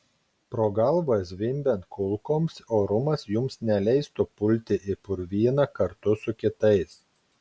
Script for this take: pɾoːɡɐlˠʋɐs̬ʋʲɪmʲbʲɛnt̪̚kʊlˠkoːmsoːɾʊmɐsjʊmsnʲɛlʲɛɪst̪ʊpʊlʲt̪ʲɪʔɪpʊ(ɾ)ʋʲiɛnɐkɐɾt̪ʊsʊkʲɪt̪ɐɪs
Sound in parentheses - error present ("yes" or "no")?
no